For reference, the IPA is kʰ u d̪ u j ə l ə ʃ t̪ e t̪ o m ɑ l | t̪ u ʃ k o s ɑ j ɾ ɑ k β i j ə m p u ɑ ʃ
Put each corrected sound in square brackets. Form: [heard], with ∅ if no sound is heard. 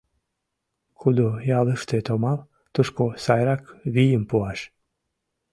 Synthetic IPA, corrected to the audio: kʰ u d̪ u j [ɑ] l ə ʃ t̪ e t̪ o m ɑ l | t̪ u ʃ k o s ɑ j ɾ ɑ k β i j ə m p u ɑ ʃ